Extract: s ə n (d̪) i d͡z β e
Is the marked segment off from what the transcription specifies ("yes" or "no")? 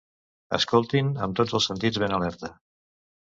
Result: yes